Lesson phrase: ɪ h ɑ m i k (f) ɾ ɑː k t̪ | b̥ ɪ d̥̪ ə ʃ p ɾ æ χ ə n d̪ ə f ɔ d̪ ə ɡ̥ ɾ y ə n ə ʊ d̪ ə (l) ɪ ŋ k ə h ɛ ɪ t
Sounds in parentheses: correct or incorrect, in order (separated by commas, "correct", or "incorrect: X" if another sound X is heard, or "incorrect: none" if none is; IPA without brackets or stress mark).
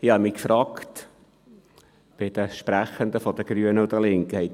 correct, correct